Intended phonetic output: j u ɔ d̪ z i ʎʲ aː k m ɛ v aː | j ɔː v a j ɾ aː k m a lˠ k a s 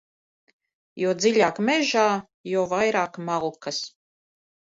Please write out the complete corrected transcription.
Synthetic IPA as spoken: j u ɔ d̪ z i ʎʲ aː k m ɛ ʒ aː | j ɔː v a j ɾ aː k m a lˠ k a s